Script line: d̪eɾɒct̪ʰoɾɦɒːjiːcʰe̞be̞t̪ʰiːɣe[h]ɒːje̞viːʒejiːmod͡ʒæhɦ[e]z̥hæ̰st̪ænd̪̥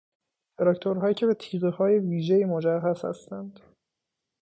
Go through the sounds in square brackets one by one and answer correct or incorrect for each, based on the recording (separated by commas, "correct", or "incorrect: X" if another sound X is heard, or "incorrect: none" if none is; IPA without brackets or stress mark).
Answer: correct, incorrect: æ